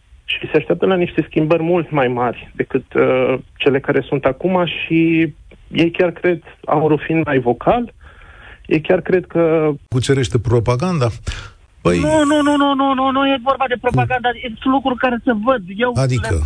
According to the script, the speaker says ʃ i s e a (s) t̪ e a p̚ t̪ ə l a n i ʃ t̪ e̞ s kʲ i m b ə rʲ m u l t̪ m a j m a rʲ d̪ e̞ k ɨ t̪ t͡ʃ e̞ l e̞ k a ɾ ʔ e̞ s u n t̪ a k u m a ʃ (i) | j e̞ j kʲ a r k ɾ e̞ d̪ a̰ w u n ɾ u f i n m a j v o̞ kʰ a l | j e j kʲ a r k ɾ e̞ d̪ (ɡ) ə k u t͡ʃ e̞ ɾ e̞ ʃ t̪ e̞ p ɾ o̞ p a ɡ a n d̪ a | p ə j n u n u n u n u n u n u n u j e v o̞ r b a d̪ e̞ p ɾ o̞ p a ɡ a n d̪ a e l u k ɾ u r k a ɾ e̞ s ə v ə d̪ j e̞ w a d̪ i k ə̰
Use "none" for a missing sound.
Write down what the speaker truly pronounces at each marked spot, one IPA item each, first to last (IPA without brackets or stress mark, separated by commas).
ʃ, i, k